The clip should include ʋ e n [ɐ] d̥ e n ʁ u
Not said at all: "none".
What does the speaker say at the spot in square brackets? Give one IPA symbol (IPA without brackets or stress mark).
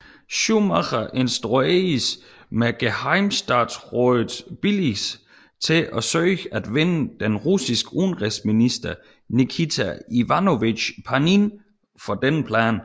ə